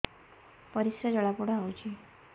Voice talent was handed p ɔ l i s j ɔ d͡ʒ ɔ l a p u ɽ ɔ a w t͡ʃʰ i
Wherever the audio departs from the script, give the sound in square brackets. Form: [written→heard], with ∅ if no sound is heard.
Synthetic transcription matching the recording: p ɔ [l→ɾ] i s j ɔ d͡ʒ ɔ [l→ɭ] a p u ɽ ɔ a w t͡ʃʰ i